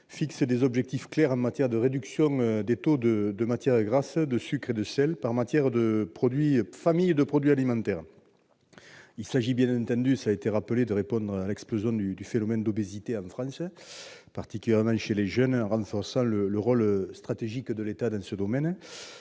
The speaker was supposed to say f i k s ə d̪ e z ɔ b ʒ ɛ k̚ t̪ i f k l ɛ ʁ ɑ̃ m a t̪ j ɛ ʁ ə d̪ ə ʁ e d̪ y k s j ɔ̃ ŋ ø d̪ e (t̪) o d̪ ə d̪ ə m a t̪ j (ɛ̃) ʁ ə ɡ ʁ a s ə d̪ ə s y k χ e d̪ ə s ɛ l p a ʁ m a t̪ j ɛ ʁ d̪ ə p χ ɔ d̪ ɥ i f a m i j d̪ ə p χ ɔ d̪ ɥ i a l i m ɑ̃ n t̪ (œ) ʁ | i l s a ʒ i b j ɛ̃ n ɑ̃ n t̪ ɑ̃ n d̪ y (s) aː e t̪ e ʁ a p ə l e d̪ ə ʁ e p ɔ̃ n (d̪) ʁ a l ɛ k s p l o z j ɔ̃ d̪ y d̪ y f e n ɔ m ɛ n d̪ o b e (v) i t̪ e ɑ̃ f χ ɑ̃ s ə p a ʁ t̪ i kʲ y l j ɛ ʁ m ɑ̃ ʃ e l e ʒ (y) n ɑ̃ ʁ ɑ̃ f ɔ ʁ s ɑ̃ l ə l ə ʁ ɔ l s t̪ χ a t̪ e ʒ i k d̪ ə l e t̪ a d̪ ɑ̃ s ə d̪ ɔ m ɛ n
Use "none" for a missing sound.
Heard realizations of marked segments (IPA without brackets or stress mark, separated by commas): t̪, ɛ, ɛ, s, d̪, z, œ